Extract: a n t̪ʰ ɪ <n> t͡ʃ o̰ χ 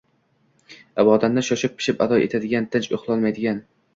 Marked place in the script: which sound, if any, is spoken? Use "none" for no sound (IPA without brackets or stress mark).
n